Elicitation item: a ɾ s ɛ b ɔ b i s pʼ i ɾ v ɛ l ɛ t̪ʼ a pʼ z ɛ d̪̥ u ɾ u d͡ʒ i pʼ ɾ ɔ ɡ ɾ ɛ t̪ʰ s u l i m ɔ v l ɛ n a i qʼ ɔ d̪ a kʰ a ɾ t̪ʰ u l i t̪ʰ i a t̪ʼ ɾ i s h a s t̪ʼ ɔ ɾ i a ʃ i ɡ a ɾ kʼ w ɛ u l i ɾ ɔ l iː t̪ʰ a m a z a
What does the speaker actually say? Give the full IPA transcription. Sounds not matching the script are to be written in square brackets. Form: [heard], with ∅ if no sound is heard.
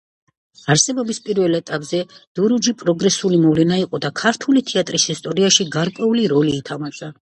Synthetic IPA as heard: a ɾ s ɛ b ɔ b i s pʼ i ɾ v ɛ l ɛ t̪ʼ a pʼ z ɛ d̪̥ u ɾ u d͡ʒ i pʼ ɾ ɔ ɡ ɾ ɛ [∅] s u l i m ɔ v l ɛ n a i qʼ ɔ d̪ a kʰ a ɾ t̪ʰ u l i t̪ʰ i a t̪ʼ ɾ i s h [i] s t̪ʼ ɔ ɾ i a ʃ i ɡ a ɾ kʼ w ɛ u l i ɾ ɔ l iː t̪ʰ a m a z a